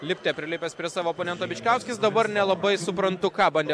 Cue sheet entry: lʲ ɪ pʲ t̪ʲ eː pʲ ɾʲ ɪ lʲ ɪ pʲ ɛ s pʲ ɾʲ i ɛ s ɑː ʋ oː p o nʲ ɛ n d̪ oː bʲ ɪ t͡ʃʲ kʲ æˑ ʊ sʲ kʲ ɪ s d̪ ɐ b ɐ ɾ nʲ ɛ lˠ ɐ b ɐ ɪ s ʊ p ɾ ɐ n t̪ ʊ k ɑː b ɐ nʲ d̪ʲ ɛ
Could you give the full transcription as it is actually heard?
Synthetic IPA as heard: lʲ ɪ pʲ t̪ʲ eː pʲ ɾʲ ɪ lʲ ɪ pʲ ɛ s pʲ ɾʲ i ɛ s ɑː ʋ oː p o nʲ ɛ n t̪ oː bʲ ɪ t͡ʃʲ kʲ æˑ ʊ sʲ kʲ ɪ s d̪ ɐ b ɐ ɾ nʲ ɛ lˠ ɐ b ɐ ɪ s ʊ p ɾ ɐ n t̪ ʊ k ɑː b ɐ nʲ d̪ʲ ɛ